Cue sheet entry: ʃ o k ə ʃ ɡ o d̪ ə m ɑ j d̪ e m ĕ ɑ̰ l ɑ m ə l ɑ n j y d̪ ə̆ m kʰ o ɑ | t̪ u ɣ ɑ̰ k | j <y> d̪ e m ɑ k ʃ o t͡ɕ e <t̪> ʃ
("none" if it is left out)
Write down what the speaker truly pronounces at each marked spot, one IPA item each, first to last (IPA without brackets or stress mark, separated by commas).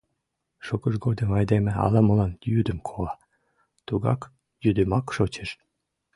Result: y, none